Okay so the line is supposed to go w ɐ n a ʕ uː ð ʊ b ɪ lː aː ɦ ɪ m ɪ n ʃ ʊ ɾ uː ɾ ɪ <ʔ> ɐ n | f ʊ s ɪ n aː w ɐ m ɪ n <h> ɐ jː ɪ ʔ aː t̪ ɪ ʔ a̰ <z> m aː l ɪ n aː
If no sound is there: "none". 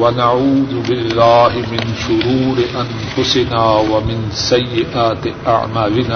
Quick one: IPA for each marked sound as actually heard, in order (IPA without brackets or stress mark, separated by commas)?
ʔ, s, ʕ